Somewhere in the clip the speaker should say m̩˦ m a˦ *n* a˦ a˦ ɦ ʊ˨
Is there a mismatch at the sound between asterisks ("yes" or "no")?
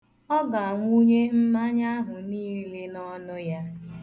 yes